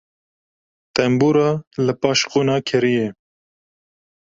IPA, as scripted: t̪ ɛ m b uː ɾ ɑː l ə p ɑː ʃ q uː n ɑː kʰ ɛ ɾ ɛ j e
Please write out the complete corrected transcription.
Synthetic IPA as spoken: t̪ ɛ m b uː ɾ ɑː l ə p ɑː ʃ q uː n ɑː kʰ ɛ ɾ i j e